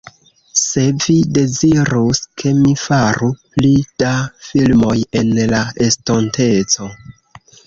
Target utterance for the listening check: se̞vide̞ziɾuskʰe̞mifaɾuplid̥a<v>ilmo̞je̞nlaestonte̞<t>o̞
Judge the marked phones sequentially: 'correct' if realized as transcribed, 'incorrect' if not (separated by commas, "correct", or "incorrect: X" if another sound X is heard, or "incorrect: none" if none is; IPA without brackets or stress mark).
incorrect: f, incorrect: t͡s